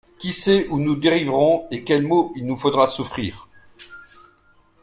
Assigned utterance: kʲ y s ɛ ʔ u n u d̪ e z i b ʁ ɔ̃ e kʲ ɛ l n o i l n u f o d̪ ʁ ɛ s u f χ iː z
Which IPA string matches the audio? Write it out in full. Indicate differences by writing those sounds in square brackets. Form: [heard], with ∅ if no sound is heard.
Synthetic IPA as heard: kʲ [i] s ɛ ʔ u n u d̪ e [ʁ] i [v] ʁ ɔ̃ e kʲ ɛ l [m] o i l n u f o d̪ ʁ [a] s u f χ iː [ʁ]